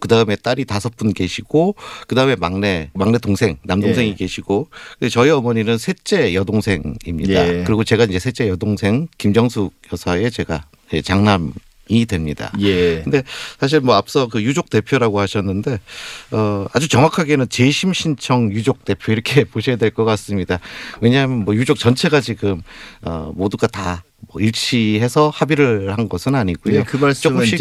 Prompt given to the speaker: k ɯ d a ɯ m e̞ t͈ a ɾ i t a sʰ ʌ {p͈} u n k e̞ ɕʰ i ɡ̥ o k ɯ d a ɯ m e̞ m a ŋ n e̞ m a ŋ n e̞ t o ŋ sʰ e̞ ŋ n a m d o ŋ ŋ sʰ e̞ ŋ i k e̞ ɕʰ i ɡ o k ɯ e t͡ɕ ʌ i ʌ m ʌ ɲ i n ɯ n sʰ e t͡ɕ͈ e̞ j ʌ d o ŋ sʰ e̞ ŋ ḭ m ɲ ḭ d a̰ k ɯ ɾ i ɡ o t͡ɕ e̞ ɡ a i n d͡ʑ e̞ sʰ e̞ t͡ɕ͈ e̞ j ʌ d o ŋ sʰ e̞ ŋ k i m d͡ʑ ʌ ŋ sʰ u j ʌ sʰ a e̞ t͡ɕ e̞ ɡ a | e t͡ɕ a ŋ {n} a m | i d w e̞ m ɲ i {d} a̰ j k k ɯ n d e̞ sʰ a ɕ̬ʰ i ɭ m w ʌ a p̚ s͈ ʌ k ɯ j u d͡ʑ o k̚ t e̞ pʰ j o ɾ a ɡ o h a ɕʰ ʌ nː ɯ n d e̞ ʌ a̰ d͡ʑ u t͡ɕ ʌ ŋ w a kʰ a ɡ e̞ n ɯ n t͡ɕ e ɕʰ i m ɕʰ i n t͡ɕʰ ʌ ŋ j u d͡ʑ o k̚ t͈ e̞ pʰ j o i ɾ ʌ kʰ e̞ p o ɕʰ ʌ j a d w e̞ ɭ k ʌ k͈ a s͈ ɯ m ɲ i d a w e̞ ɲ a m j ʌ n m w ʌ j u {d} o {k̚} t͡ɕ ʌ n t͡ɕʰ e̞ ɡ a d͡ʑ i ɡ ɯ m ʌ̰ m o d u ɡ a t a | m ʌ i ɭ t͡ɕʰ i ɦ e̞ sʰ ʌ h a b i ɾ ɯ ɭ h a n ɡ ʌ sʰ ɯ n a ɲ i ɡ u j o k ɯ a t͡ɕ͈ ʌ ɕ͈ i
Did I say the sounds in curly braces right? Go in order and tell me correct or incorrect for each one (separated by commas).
correct, correct, correct, incorrect, correct